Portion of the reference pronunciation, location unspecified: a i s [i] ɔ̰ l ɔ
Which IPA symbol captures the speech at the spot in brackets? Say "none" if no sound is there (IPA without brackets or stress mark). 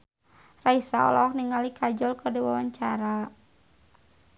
a